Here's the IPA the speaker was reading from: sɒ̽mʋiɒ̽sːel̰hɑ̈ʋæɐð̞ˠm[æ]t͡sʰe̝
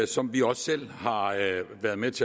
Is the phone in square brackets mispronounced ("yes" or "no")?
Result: yes